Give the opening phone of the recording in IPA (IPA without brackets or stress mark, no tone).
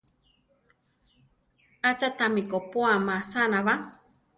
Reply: a